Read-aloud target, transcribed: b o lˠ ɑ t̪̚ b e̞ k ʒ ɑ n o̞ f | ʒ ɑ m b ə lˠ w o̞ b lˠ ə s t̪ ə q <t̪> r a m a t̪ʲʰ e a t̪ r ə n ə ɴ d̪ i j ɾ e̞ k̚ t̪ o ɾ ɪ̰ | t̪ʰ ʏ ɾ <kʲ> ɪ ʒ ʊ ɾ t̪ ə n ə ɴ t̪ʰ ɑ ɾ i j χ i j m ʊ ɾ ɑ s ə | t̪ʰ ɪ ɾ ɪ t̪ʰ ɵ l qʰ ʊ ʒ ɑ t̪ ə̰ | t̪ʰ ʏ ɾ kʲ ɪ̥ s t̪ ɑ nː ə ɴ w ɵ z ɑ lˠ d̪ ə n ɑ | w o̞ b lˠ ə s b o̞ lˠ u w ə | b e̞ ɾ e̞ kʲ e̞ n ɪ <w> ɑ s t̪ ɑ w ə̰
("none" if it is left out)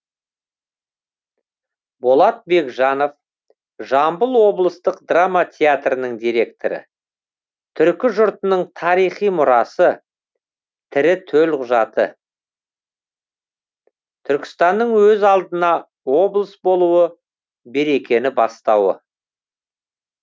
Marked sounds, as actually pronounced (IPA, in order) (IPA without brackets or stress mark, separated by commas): d̪, kʲ, b